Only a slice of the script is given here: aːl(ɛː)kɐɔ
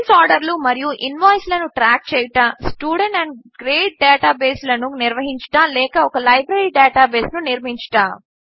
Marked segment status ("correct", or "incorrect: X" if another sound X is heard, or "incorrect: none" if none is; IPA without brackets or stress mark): correct